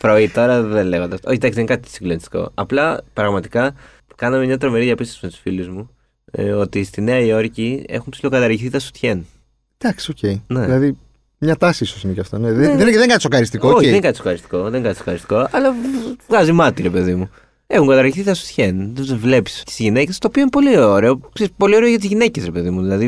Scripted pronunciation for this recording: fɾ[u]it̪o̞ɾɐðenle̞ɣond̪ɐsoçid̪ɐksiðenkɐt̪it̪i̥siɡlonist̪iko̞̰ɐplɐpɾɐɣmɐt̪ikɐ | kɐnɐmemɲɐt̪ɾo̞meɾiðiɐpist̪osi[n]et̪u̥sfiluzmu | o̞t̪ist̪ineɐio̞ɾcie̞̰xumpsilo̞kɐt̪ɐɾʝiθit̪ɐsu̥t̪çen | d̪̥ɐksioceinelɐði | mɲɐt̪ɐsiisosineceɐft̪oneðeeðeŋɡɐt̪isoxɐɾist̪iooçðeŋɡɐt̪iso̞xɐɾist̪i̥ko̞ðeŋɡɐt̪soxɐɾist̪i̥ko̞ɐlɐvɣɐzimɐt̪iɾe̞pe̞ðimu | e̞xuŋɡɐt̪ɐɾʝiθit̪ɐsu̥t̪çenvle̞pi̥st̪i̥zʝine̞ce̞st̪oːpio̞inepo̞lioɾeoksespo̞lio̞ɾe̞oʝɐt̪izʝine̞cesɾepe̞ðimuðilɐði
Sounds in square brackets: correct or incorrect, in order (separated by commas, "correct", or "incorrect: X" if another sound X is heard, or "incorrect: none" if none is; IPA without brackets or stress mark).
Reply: incorrect: o, incorrect: m